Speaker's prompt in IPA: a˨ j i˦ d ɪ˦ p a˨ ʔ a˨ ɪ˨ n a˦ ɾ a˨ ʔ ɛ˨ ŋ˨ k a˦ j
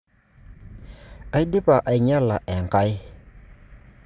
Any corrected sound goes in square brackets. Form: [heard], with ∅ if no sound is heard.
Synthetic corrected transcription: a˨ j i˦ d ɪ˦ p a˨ ʔ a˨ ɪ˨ [ɲ] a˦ [l] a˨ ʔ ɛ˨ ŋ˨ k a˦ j